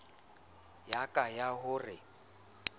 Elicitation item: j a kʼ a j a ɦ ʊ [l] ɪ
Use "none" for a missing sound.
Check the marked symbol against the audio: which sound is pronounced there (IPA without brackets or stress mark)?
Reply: r